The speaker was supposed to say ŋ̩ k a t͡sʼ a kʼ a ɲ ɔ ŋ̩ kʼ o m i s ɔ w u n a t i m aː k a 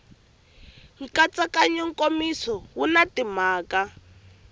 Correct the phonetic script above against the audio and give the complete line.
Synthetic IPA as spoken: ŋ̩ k a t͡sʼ a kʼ a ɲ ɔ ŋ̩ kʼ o m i s ɔ w u n a t i m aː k a